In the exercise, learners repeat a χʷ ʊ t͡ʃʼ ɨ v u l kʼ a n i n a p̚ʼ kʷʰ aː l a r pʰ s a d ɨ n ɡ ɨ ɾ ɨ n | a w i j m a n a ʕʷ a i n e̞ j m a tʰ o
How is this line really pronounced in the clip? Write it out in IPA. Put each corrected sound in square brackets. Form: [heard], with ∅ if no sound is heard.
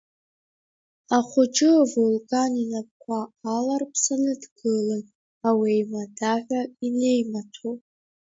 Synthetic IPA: a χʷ ʊ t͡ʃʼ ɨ v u l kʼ a n i n a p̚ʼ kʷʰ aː l a r pʰ s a [n] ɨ [d] ɡ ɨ [l] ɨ n | a w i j m a [d] a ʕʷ a i n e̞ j m a tʰ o